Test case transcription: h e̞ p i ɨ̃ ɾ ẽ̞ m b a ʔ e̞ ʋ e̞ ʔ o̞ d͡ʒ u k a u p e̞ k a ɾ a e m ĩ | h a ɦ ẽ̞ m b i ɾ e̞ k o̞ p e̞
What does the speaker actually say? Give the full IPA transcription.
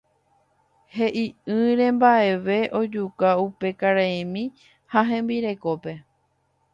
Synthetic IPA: h e̞ ʔ i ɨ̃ ɾ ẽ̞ m b a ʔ e̞ ʋ e̞ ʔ o̞ d͡ʒ u k a u p e̞ k a ɾ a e m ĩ | h a ɦ ẽ̞ m b i ɾ e̞ k o̞ p e̞